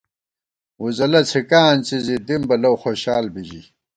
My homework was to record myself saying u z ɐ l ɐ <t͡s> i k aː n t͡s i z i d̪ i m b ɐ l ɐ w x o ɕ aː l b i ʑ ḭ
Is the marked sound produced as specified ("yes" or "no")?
no